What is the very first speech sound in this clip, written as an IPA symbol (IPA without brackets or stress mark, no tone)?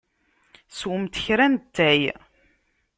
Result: s